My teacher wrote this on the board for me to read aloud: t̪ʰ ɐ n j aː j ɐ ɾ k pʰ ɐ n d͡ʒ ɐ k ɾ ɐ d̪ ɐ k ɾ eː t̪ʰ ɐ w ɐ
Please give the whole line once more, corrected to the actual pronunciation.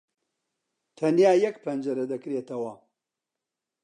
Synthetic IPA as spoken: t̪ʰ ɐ n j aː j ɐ k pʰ ɐ n d͡ʒ ɐ ɾ ɐ d̪ ɐ k ɾ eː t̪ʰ ɐ w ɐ